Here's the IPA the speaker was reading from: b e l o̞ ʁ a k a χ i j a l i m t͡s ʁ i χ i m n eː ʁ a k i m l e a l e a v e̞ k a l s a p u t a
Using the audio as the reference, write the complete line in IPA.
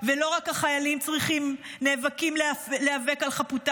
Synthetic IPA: v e l o̞ ʁ a k a χ a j a l i m t͡s ʁ i χ i m n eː v a k i m l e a l e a v e̞ k a l χ a p u t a